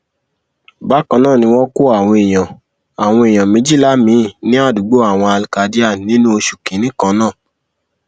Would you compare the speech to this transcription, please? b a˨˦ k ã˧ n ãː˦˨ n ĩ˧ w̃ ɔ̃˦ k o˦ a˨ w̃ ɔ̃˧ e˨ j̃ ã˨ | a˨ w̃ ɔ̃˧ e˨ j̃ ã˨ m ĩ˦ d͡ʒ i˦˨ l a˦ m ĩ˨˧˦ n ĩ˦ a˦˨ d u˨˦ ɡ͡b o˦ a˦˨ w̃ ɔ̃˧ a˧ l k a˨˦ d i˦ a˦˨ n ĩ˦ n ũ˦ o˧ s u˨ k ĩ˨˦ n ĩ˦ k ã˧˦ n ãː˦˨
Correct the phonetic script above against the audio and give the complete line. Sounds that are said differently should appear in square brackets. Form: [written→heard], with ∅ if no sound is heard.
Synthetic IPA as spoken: b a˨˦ k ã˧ n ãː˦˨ n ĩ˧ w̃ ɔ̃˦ k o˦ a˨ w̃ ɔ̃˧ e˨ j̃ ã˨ | a˨ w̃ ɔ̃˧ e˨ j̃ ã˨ m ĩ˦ d͡ʒ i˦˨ l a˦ m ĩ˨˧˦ n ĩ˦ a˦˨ d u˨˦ ɡ͡b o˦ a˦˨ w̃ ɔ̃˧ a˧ l k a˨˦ d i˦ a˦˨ n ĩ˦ n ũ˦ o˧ [s→ʃ] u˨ k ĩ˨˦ n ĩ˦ k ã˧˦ n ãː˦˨